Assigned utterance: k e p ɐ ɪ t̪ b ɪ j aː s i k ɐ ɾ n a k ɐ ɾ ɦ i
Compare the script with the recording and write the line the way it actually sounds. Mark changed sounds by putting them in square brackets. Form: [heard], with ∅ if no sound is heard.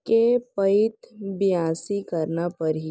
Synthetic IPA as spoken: k e p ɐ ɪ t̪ b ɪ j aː s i k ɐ ɾ n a [p] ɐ ɾ ɦ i